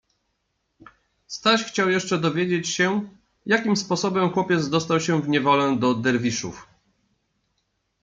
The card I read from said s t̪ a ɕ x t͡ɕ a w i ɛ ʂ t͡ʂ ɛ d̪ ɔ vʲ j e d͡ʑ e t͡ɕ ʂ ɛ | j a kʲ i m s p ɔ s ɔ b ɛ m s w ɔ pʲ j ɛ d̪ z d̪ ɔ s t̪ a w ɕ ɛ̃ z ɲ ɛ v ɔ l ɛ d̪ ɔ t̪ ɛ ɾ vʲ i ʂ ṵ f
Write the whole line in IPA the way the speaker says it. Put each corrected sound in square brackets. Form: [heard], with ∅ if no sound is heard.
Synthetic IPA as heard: s t̪ a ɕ x t͡ɕ a w [j] ɛ ʂ t͡ʂ ɛ d̪ ɔ vʲ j e d͡ʑ e t͡ɕ [ɕ] ɛ | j a kʲ i m s p ɔ s ɔ b ɛ m [x] w ɔ pʲ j ɛ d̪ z d̪ ɔ s t̪ a w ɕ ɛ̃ [v] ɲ ɛ v ɔ l ɛ d̪ ɔ [d̪] ɛ ɾ vʲ i ʂ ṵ f